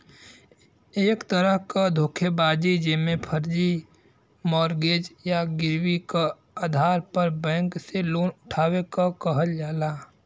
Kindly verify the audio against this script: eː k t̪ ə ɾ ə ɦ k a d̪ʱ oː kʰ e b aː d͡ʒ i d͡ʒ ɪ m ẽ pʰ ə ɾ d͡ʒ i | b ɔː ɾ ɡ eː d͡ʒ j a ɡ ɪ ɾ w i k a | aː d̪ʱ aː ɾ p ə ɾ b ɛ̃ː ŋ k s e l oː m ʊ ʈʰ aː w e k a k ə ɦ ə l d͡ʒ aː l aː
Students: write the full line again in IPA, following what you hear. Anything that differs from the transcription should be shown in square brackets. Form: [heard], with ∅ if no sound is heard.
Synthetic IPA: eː k t̪ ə ɾ ə ɦ k a d̪ʱ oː kʰ e b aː d͡ʒ i d͡ʒ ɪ m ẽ pʰ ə ɾ d͡ʒ i | [m] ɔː ɾ ɡ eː d͡ʒ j a ɡ ɪ ɾ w i k a | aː d̪ʱ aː ɾ p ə ɾ b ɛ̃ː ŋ k s e l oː [n] ʊ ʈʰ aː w e k a k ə ɦ ə l d͡ʒ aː l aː